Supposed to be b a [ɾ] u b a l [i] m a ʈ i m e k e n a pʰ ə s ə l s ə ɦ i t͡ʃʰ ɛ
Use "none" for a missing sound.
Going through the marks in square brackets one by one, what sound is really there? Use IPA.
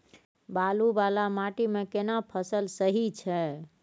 l, a

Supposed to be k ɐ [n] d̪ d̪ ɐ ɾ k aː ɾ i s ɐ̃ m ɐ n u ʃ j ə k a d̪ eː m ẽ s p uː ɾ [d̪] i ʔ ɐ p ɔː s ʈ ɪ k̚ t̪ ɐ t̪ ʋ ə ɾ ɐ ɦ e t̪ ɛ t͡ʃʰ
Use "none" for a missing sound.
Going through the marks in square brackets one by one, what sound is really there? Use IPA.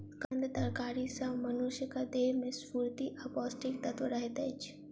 n, t̪

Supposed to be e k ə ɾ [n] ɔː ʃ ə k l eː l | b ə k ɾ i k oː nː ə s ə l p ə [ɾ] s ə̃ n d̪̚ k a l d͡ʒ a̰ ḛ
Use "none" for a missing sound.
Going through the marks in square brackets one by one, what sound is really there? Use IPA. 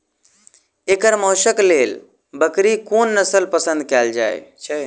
m, none

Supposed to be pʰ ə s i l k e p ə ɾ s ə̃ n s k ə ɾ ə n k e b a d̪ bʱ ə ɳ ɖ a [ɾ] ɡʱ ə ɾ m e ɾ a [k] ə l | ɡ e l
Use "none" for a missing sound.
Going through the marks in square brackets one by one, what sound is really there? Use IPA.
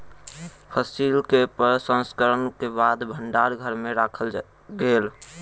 ɾ, kʰ

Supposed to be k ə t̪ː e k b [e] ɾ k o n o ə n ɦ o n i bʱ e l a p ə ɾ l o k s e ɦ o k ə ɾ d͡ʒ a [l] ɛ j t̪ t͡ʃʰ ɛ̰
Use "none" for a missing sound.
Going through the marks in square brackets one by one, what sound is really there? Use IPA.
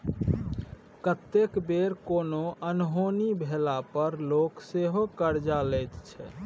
e, l

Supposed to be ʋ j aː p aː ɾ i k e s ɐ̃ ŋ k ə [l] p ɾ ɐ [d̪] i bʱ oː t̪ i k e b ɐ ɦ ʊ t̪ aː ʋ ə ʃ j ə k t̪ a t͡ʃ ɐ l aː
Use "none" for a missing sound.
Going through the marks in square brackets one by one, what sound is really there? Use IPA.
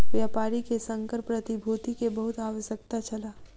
ɾ, t̪

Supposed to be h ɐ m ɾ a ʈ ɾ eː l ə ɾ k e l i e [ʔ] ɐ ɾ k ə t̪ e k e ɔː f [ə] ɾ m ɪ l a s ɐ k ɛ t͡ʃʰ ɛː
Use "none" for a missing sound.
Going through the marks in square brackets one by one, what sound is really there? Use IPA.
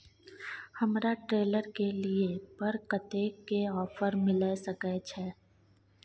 p, ə

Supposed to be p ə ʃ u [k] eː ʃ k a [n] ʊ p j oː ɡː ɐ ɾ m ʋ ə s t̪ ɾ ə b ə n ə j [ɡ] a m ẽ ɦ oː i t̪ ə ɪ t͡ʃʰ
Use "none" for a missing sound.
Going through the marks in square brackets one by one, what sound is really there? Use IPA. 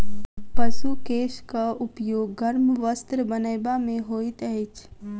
k, none, b

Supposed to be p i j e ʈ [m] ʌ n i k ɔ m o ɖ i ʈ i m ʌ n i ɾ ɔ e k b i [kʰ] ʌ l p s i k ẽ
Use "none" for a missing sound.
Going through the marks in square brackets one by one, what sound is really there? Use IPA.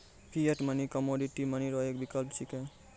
m, k

